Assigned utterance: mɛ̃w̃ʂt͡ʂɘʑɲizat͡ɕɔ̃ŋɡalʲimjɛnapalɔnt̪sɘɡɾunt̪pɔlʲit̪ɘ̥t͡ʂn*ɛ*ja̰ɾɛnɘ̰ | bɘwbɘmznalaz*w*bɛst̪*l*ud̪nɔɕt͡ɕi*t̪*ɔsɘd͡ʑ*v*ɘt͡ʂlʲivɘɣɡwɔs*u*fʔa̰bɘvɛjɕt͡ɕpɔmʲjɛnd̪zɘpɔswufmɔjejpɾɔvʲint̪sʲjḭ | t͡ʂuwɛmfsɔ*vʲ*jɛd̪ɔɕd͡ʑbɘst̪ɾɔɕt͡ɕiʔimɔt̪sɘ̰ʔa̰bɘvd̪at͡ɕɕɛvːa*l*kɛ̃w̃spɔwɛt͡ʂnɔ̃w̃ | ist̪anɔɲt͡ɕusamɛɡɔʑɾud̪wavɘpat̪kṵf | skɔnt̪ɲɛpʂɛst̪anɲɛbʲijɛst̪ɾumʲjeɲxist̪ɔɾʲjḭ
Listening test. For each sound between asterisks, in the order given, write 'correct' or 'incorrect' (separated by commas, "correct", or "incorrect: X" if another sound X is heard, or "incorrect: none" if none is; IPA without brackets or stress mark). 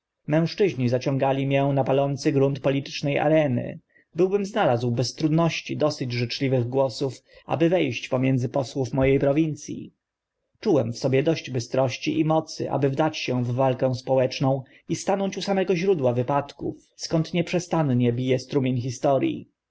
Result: correct, correct, incorrect: ɾ, incorrect: d̪, incorrect: ʐ, correct, incorrect: bʲ, correct